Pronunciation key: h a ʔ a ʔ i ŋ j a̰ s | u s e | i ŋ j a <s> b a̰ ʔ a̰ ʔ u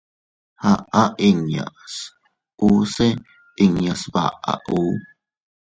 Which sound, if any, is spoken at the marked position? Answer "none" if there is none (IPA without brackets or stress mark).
s